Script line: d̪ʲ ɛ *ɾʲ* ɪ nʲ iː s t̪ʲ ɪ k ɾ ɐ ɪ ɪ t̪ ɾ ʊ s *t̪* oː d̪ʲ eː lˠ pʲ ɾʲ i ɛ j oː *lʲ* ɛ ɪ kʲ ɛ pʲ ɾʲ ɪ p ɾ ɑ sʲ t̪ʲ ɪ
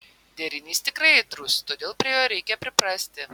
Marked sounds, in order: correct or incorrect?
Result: correct, correct, incorrect

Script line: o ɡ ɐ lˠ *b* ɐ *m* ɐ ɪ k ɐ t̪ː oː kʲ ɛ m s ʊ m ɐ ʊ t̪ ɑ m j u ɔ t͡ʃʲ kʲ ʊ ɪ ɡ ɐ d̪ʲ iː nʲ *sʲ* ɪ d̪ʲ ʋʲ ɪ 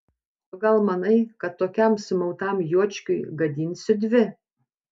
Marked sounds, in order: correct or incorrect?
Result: incorrect, incorrect, correct

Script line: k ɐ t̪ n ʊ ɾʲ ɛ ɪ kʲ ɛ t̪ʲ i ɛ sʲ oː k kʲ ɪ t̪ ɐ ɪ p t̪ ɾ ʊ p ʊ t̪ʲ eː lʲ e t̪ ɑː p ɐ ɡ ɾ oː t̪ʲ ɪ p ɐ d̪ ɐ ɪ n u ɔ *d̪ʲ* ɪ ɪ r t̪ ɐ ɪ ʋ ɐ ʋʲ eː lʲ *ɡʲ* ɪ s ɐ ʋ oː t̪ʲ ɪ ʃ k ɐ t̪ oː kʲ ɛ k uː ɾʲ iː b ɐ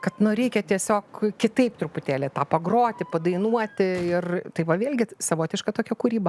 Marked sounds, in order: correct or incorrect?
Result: incorrect, correct

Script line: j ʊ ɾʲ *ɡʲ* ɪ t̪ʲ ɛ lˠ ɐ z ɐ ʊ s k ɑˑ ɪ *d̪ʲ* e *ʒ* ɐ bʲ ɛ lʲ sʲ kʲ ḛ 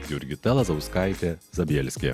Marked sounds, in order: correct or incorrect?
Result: correct, incorrect, incorrect

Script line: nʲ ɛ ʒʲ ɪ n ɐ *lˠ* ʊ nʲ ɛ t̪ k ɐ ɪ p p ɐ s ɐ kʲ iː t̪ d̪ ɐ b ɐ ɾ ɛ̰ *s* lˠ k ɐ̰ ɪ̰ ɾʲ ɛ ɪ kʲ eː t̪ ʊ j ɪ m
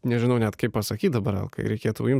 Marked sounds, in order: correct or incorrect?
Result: incorrect, incorrect

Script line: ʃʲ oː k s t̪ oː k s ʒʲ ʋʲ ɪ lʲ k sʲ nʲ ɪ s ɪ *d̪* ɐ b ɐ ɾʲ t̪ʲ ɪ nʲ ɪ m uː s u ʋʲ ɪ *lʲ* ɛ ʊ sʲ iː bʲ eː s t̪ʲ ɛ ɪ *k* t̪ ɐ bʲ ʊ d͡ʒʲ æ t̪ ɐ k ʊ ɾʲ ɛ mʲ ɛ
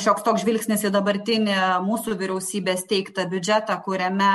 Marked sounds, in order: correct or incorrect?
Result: correct, incorrect, correct

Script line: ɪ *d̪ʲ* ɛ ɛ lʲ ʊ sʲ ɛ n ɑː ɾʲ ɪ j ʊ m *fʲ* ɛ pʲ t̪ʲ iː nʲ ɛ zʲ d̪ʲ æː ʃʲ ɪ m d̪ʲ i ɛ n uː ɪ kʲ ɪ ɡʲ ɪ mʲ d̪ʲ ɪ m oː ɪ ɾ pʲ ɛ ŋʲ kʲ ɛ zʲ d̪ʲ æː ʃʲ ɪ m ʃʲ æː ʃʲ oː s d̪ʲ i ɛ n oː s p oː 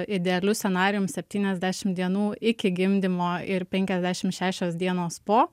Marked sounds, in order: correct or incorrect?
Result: correct, incorrect

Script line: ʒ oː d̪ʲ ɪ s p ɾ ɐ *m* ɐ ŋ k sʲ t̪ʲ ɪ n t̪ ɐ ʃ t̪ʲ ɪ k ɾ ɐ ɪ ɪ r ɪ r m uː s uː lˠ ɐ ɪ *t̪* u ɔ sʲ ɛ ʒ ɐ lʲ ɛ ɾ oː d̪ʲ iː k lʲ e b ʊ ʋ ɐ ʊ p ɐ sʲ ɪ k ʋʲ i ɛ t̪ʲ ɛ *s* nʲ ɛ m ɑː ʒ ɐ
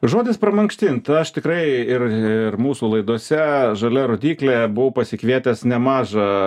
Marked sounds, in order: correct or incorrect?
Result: correct, incorrect, correct

